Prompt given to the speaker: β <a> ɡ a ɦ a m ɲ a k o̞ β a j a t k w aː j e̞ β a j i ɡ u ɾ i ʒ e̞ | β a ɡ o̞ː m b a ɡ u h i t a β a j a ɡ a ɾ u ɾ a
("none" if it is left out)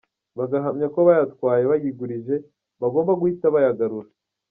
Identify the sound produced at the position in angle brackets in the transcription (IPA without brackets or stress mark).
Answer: a